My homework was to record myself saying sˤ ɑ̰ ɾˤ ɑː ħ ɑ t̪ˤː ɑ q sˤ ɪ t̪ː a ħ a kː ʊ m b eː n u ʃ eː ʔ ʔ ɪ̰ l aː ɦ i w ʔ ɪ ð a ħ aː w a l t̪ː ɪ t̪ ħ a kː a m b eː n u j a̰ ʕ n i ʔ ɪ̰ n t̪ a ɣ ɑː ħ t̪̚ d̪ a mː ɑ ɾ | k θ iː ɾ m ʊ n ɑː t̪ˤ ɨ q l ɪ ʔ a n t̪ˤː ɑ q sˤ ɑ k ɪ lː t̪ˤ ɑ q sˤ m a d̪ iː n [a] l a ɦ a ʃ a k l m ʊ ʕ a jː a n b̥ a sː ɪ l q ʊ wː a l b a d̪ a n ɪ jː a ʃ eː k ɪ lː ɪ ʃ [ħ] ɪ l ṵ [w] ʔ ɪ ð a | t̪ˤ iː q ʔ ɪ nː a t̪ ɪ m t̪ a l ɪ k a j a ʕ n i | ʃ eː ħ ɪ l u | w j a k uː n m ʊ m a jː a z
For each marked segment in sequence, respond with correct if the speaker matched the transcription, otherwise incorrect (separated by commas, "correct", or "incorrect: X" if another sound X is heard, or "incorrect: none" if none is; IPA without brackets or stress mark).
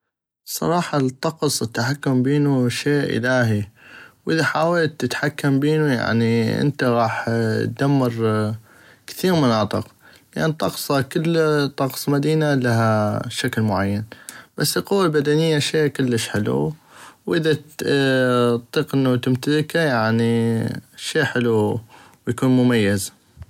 correct, correct, correct